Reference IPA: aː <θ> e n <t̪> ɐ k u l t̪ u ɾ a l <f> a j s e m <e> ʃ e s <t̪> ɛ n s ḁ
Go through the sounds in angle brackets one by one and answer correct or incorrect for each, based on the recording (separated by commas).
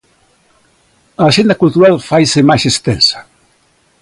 incorrect, incorrect, correct, incorrect, correct